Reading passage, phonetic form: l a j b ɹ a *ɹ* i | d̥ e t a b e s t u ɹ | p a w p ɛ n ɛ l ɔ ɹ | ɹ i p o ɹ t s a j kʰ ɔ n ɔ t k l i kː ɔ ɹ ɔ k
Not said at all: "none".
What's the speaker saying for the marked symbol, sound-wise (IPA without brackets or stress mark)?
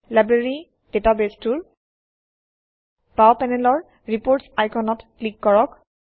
ɹ